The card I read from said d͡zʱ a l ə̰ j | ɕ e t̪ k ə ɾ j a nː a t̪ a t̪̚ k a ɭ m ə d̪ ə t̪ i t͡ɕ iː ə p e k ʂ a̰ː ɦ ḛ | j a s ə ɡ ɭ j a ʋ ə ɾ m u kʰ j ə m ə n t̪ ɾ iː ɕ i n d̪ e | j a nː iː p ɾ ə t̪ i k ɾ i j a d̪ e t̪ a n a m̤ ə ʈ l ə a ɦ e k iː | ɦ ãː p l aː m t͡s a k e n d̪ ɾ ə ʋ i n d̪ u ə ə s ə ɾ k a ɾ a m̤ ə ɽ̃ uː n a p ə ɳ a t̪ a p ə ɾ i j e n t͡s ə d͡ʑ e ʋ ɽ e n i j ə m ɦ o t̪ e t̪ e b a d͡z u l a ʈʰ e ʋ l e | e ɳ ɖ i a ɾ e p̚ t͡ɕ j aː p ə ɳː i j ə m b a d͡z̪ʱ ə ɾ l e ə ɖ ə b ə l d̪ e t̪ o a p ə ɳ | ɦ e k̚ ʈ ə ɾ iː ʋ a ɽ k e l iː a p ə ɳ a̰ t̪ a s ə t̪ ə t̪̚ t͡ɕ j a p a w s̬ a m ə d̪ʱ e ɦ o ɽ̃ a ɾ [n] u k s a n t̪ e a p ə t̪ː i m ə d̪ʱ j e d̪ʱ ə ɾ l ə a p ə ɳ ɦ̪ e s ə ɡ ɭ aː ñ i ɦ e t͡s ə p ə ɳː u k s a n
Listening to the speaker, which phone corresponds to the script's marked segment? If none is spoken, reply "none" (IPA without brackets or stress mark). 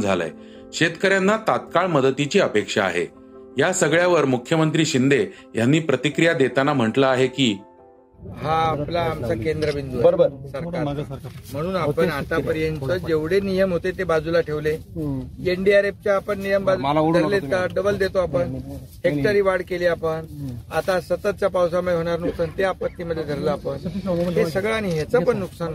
n